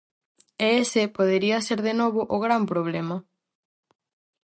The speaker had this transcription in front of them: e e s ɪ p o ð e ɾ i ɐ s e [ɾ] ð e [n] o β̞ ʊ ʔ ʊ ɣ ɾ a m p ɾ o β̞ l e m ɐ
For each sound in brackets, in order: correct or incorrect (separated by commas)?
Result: correct, correct